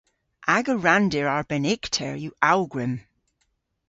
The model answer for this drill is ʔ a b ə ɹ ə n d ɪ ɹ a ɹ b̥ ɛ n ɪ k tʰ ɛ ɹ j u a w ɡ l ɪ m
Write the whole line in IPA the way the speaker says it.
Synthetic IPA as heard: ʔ a ɡ ə ɹ a n d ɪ ɹ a ɹ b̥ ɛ n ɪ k tʰ ɛ ɹ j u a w ɡ ɹ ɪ m